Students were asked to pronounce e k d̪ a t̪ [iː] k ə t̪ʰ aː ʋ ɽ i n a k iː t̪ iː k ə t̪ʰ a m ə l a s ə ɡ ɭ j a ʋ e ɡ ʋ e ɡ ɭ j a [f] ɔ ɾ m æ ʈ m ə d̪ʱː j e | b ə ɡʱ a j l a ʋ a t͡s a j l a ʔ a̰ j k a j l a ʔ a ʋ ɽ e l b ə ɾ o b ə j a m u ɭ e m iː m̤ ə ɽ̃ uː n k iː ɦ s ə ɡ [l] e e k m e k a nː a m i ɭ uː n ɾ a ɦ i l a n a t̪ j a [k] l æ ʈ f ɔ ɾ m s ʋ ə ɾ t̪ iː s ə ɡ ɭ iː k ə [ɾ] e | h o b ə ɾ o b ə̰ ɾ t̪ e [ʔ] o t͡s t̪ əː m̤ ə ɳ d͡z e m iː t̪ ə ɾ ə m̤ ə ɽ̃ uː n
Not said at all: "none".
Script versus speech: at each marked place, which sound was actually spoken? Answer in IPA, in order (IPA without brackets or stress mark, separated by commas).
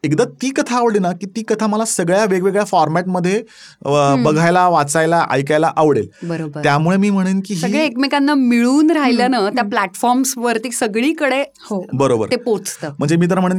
iː, f, ɭ, p, ɽ, p